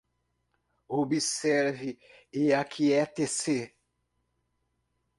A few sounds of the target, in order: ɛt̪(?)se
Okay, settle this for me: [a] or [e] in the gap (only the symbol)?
e